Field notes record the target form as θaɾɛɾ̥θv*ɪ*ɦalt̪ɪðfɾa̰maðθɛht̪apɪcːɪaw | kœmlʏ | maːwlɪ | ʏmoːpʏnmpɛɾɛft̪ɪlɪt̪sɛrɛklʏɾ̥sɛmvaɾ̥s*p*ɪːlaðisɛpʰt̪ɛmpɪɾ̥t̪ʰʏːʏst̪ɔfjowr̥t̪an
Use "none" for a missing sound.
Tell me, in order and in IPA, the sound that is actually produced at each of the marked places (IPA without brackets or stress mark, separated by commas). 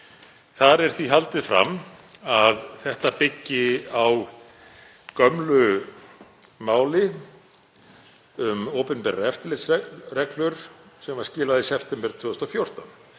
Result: i, c